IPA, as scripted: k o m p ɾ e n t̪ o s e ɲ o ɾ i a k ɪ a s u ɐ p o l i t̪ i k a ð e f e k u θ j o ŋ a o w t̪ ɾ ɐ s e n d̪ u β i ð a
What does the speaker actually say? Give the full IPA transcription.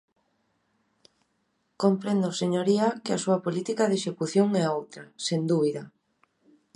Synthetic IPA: k o m p ɾ e n d̪ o s e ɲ o ɾ i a k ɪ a s u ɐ p o l i t̪ i k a ð e ʃ e k u θ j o ŋ ɛ o w t̪ ɾ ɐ s e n d̪ u β i ð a